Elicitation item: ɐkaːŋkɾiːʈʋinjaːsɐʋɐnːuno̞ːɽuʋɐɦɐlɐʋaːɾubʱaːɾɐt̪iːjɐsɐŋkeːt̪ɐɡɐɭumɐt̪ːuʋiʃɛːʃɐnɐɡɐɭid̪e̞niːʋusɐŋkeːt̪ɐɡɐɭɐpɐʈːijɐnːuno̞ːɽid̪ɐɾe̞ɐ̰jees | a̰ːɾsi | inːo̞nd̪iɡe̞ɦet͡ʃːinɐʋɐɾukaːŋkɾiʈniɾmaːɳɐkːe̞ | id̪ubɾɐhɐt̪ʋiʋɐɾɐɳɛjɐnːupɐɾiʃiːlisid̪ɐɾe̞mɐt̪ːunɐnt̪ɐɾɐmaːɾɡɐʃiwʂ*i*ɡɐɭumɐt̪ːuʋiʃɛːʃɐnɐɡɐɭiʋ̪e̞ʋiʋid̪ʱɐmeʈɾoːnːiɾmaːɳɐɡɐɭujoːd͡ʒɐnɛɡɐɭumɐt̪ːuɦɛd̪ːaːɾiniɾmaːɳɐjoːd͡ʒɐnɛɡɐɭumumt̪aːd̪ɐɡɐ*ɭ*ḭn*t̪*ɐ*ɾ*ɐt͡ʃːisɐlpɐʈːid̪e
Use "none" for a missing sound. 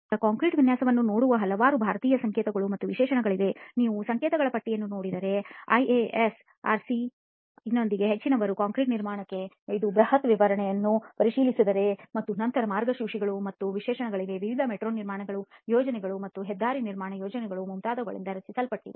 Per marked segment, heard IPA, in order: i, ɭ, d̪, ɾ

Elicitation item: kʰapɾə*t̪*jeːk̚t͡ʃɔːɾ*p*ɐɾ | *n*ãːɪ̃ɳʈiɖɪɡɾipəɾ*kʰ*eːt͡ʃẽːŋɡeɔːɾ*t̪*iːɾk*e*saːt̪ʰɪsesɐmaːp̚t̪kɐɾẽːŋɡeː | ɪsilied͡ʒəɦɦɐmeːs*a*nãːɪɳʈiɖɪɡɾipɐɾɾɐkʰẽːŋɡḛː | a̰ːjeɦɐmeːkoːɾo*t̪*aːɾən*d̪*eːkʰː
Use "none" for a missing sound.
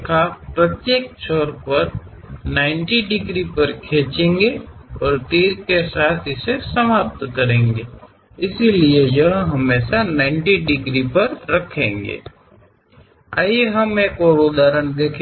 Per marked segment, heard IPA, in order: t̪, p, n, kʰ, t̪, e, a, d̪, d̪

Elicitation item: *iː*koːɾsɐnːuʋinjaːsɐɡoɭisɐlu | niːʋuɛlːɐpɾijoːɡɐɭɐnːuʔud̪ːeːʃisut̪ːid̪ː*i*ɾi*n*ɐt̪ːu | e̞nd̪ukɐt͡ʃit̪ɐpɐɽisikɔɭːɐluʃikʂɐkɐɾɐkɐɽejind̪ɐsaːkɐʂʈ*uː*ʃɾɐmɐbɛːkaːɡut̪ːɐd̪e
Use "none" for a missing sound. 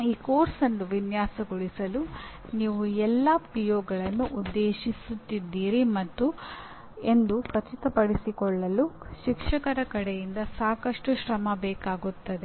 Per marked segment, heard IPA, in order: iː, iː, m, u

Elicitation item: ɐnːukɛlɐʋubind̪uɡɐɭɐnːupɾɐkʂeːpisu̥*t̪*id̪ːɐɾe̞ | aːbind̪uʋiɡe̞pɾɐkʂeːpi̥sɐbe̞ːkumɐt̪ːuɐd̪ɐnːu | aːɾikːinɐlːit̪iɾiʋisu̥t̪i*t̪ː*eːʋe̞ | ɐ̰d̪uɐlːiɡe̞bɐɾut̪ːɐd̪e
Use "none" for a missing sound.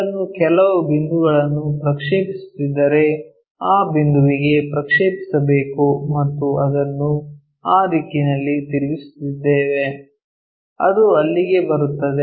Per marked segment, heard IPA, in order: t̪, d̪ː

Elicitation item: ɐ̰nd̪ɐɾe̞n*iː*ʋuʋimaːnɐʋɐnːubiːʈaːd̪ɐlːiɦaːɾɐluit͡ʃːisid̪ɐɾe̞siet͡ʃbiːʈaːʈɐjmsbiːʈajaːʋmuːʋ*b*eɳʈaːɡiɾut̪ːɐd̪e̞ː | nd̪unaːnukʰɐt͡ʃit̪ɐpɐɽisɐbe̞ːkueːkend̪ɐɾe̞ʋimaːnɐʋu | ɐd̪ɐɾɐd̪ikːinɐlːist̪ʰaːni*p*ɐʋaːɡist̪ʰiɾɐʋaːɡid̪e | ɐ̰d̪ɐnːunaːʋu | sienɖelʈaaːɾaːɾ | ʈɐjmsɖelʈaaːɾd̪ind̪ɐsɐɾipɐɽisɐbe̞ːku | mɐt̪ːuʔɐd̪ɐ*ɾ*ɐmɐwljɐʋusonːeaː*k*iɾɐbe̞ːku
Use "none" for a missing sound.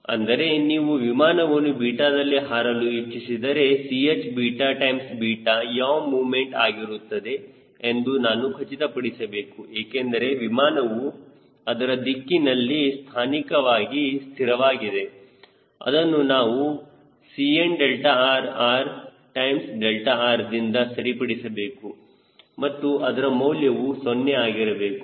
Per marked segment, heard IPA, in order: iː, m, k, ɾ, ɡ

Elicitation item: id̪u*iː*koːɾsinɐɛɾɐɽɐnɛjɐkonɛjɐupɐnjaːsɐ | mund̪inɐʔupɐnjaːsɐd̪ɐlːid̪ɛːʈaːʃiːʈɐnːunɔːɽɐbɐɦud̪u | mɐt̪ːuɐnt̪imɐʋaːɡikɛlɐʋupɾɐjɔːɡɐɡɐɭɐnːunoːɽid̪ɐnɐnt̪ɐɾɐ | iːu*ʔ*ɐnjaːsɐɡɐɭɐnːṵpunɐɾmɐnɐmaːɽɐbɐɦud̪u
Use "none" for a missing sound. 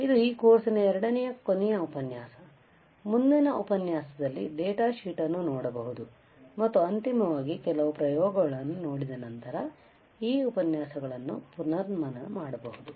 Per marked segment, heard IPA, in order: iː, p

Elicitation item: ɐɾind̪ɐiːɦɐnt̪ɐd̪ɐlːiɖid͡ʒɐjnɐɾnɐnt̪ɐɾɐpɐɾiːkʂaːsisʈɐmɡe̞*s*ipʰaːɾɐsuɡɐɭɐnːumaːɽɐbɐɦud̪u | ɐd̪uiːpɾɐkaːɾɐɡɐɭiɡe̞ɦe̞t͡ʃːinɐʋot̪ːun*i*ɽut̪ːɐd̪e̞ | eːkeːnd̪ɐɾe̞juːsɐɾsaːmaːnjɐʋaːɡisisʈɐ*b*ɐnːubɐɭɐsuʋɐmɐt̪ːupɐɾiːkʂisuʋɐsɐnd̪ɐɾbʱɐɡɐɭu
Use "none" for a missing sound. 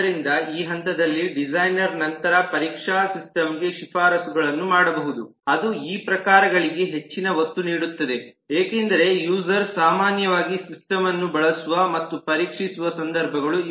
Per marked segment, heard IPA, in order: ʃ, iː, m

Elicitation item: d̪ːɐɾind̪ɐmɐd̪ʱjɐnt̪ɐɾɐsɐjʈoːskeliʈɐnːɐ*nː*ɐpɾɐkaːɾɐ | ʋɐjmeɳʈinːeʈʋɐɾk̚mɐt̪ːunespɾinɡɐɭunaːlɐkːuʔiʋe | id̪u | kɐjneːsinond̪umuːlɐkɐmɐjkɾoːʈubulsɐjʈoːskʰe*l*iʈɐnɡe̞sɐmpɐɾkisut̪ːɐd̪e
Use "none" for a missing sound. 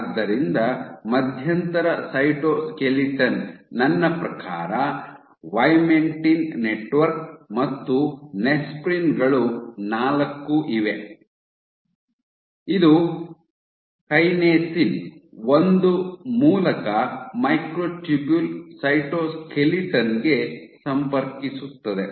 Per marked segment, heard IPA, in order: nː, l

